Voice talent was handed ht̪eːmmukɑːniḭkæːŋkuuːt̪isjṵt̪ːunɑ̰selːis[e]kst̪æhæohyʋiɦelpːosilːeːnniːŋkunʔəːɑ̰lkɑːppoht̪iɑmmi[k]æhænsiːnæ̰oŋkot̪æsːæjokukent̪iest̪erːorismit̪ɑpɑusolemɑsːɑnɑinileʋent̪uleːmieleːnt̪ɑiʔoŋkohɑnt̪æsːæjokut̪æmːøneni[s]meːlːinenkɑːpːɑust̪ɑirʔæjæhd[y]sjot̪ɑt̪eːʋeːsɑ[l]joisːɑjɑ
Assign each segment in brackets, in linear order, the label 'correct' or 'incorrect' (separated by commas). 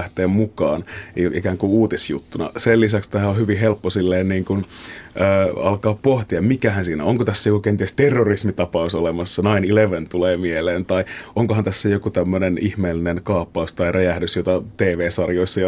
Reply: incorrect, correct, incorrect, correct, incorrect